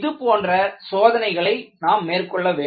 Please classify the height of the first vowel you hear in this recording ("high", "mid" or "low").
high